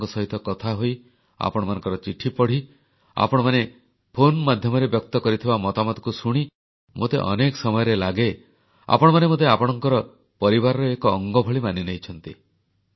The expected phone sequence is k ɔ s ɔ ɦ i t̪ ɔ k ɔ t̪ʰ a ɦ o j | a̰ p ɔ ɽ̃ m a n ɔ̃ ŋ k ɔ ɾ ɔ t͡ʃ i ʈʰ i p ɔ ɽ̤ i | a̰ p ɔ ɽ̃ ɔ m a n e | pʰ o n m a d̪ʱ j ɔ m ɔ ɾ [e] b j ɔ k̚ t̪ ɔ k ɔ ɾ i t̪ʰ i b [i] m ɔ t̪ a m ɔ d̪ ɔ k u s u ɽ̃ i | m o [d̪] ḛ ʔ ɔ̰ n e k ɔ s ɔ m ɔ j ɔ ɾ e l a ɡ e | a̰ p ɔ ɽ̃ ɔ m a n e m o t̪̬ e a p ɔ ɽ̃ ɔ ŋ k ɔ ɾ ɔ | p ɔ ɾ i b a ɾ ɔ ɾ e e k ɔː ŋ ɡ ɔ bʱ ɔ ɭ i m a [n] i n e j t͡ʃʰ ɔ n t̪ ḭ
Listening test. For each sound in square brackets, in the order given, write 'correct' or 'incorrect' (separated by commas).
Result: correct, incorrect, incorrect, correct